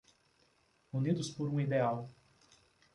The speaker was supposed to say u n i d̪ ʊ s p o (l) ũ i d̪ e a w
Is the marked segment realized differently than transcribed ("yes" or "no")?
yes